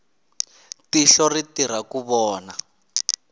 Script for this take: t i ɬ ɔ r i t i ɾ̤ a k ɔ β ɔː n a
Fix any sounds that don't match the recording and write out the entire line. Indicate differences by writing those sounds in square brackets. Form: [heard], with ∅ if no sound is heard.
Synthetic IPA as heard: t i ɬ ɔ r i t i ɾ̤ a k [u] β ɔː n a